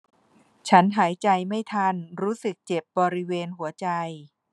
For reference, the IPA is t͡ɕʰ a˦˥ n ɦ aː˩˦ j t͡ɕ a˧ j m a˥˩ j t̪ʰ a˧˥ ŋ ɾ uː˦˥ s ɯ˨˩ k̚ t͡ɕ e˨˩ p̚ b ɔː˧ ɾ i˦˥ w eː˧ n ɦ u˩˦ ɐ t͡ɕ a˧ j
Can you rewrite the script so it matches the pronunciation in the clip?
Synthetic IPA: t͡ɕʰ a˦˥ n ɦ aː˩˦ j t͡ɕ a˧ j m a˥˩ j t̪ʰ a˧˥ n ɾ uː˦˥ s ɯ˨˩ k̚ t͡ɕ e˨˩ p̚ b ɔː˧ ɾ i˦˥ w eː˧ n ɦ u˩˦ ɐ t͡ɕ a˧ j